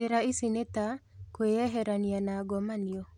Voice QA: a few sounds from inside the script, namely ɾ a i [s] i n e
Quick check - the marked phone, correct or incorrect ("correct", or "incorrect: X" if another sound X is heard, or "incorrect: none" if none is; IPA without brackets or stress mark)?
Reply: correct